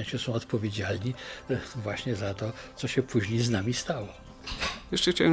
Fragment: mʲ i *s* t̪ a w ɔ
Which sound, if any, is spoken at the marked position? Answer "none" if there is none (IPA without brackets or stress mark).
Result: s